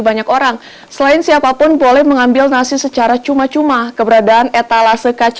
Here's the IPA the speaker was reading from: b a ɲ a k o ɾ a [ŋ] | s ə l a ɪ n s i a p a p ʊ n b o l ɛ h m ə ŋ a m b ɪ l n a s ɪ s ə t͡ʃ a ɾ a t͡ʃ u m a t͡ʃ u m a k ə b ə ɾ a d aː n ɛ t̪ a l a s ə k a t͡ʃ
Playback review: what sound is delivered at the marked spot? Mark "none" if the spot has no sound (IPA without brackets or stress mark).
ŋ